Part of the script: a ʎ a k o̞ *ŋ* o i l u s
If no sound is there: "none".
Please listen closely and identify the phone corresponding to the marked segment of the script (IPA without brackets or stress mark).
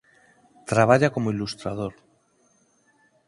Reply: m